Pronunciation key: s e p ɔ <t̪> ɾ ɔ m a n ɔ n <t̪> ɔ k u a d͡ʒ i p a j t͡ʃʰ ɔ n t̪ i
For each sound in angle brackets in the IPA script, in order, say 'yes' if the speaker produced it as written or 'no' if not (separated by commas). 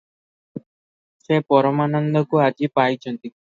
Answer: no, no